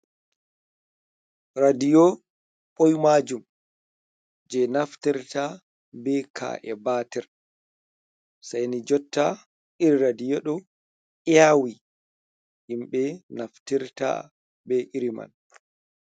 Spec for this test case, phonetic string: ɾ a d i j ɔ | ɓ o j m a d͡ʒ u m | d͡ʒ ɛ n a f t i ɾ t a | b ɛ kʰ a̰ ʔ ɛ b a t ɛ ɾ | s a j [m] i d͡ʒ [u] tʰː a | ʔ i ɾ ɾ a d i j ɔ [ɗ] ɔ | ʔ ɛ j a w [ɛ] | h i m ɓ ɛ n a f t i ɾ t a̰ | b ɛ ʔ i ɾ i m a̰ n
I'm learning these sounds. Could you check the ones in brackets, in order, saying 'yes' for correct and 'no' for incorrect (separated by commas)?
no, no, yes, no